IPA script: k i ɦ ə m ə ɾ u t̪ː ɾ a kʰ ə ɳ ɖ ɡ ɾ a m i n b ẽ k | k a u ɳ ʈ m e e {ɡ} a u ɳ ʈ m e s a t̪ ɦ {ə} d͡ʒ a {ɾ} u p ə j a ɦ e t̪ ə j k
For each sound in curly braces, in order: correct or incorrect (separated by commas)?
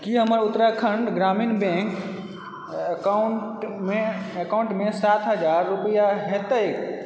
incorrect, correct, incorrect